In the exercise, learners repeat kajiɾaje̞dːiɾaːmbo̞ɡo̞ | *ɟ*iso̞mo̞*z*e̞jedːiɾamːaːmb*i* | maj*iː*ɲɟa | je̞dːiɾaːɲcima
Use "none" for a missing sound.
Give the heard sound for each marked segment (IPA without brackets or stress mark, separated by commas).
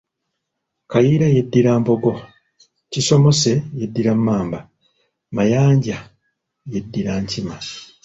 c, s, a, aː